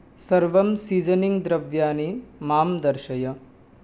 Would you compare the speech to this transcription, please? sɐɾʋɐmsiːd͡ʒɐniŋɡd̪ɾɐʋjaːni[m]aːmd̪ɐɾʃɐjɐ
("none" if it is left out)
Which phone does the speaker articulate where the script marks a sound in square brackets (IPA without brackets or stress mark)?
m